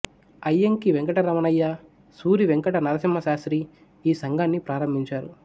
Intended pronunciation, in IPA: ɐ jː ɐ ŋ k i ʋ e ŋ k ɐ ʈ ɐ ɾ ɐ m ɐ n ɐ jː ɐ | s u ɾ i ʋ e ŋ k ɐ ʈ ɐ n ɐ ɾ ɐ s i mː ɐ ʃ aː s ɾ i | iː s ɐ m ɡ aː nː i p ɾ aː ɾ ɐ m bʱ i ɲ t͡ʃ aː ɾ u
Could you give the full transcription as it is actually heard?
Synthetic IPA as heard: ɐ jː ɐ ŋ k i ʋ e ŋ k ɐ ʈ ɐ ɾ ɐ m ɐ n ɐ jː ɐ | s uː ɾ i ʋ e ŋ k ɐ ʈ ɐ n ɐ ɾ ɐ s i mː ɐ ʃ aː s ɾ i | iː s ɐ ŋ ɡ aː nː i p ɾ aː ɾ ɐ m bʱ i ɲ t͡ʃ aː ɾ u